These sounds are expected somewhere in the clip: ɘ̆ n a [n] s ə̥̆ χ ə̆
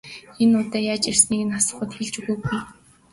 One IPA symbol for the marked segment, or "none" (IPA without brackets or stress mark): none